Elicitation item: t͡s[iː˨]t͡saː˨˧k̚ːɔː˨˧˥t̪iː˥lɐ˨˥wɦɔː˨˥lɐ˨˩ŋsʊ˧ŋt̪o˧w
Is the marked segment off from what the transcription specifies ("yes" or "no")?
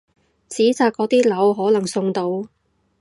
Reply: yes